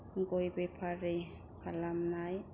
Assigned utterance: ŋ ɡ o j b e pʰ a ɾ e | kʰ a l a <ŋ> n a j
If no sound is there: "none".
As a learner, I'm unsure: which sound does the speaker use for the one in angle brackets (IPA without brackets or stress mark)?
m